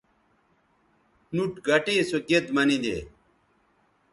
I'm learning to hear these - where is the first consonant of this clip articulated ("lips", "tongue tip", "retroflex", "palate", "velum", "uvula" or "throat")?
tongue tip